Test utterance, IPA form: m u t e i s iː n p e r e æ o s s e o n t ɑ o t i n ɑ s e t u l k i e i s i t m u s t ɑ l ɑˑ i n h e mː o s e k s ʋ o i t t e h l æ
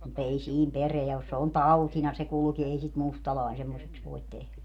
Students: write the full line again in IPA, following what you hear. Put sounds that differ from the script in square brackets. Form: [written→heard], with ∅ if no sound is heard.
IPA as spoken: m u t e i s iː n p e r e æ o s s e o n t ɑ [o→u] t i n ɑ s e [t→k] u l k i e i s i t m u s t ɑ l ɑˑ i n [h→s] e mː o s e k s ʋ o i t t e h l æ